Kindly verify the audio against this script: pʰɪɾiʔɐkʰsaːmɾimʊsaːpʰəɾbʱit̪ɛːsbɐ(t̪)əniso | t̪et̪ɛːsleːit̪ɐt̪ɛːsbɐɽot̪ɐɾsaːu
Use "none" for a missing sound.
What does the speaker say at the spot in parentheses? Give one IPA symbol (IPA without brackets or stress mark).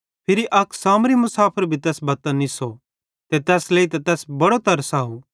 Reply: t̪